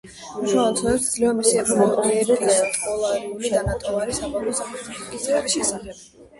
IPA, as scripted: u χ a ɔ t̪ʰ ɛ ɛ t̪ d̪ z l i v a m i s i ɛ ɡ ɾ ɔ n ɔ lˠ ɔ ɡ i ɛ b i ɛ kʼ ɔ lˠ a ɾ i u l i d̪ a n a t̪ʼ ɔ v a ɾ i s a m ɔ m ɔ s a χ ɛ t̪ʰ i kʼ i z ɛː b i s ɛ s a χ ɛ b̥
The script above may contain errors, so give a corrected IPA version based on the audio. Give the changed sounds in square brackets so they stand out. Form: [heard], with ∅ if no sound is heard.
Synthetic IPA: u [ʃ] a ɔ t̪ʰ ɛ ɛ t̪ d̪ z l i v a m i s i ɛ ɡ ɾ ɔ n ɔ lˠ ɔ ɡ i ɛ b i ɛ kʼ ɔ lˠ a ɾ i u l i d̪ a n a t̪ʼ ɔ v a ɾ i s a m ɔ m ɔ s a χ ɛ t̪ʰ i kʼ i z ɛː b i [ʃ] ɛ s a χ ɛ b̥